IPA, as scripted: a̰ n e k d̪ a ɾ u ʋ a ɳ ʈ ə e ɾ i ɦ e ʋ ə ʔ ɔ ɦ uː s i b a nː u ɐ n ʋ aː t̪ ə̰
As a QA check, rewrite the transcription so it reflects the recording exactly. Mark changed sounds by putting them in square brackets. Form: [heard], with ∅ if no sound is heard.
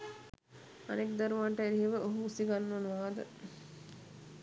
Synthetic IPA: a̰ n e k d̪ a ɾ u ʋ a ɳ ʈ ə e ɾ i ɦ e ʋ ə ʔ [o] ɦ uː s i [ɡ] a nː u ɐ n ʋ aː [d̪] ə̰